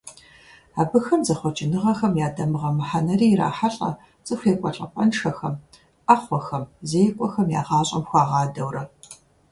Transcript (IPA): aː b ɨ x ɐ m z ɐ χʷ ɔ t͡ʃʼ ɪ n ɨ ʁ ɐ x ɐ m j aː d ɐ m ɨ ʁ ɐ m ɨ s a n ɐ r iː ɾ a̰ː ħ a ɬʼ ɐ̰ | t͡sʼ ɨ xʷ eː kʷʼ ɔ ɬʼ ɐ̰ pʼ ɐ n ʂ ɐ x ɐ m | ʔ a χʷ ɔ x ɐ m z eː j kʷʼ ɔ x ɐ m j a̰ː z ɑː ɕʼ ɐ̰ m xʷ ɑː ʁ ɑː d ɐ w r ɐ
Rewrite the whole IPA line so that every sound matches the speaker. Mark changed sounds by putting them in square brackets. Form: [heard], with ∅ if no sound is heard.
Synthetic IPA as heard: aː b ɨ x ɐ m z ɐ χʷ ɔ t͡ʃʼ ɪ n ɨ ʁ ɐ x ɐ m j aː d ɐ m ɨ ʁ ɐ m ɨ [ħ] a n ɐ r iː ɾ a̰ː ħ a ɬʼ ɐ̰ | t͡sʼ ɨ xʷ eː kʷʼ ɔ ɬʼ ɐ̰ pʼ ɐ n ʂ ɐ x ɐ m | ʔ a χʷ ɔ x ɐ m z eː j kʷʼ ɔ x ɐ m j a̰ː [ʁ] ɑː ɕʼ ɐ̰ m xʷ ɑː ʁ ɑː d ɐ w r ɐ